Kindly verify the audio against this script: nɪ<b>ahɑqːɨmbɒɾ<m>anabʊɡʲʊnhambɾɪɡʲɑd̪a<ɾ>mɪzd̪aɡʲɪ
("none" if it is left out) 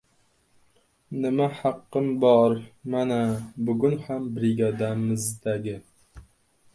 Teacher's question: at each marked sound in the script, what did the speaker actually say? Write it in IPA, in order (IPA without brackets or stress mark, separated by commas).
m, m, none